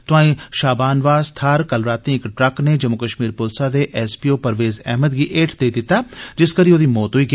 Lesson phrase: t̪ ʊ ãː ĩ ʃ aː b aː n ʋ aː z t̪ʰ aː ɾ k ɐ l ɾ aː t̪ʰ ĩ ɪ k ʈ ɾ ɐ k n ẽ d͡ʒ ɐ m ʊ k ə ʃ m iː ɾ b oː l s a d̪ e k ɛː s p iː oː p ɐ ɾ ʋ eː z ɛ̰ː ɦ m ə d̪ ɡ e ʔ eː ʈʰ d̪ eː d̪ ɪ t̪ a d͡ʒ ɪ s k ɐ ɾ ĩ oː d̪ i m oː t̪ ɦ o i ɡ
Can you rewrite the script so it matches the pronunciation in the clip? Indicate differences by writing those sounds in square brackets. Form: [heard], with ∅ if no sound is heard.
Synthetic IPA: t̪ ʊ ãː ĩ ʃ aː b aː n ʋ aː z t̪ʰ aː ɾ k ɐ l ɾ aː [t̪] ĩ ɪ k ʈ ɾ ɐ k n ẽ d͡ʒ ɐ m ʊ k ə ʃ m iː ɾ [p] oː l s a d̪ e [ʔ] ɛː s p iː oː p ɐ ɾ ʋ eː z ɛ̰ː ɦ m ə d̪ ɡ [i] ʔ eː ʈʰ d̪ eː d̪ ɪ t̪ a d͡ʒ ɪ s k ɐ ɾ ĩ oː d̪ i m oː t̪ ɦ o i ɡ

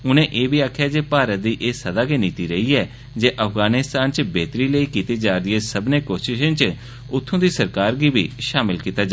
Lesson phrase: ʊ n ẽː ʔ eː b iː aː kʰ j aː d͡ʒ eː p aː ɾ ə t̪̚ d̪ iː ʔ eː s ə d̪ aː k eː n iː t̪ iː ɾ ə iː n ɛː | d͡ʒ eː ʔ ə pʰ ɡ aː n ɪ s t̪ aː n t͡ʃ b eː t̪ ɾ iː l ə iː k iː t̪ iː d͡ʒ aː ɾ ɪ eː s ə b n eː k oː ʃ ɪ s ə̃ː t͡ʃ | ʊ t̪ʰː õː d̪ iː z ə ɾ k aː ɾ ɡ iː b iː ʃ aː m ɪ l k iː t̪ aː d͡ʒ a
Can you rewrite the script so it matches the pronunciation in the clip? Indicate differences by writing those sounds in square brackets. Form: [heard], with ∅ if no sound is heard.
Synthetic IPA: ʊ n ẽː ʔ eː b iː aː kʰ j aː d͡ʒ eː p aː ɾ ə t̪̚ d̪ iː ʔ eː s ə d̪ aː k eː n iː t̪ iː ɾ ə iː [∅] ɛː | d͡ʒ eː ʔ ə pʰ ɡ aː n ɪ s t̪ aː n t͡ʃ b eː t̪ ɾ iː l ə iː k iː t̪ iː d͡ʒ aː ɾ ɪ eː s ə b n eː k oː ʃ ɪ [ʃ] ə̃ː t͡ʃ | ʊ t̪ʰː õː d̪ iː [s] ə ɾ k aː ɾ ɡ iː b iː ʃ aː m ɪ l k iː t̪ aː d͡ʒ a

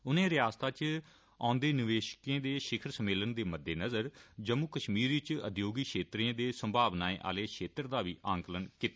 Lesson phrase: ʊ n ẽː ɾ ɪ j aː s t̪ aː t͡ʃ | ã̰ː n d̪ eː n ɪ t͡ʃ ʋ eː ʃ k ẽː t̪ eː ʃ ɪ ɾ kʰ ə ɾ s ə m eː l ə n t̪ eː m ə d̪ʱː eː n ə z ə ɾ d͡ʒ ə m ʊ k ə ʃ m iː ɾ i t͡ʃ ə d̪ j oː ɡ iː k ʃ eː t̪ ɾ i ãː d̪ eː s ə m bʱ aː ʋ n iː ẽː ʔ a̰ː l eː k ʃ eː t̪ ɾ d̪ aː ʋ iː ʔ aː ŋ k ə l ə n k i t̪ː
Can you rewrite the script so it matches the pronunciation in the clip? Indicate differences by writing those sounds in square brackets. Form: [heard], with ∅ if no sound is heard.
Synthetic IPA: ʊ n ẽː ɾ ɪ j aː s t̪ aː t͡ʃ | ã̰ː n d̪ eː n ɪ [∅] ʋ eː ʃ k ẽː [d̪] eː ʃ ɪ [∅] kʰ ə ɾ s ə m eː l ə n [d̪] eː m ə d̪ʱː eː n ə z ə ɾ d͡ʒ ə m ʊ k ə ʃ m iː ɾ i t͡ʃ ə d̪ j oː ɡ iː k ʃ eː t̪ ɾ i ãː d̪ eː s ə m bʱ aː ʋ n [aː] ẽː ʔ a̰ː l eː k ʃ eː t̪ ɾ d̪ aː ʋ iː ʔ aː ŋ k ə l ə n k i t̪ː

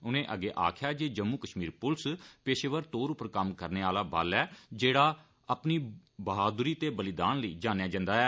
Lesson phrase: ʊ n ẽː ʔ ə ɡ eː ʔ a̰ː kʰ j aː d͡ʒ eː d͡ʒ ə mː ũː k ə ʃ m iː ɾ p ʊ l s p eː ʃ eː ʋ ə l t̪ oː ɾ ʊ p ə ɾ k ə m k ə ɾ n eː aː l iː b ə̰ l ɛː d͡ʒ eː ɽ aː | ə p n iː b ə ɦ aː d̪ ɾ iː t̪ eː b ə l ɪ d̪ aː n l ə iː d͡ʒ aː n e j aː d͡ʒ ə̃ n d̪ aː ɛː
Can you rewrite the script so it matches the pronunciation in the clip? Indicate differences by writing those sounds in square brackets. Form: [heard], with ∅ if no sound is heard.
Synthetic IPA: ʊ n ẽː ʔ ə ɡ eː ʔ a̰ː kʰ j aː d͡ʒ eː d͡ʒ ə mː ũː k ə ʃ m iː ɾ p ʊ l s p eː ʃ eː ʋ ə [ɾ] t̪ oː ɾ ʊ p ə ɾ k ə m k ə ɾ n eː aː l [aː] b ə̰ l ɛː d͡ʒ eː ɽ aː | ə p n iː b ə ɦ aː d̪ ɾ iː t̪ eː b ə l ɪ d̪ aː n l ə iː d͡ʒ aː n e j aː d͡ʒ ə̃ n d̪ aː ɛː

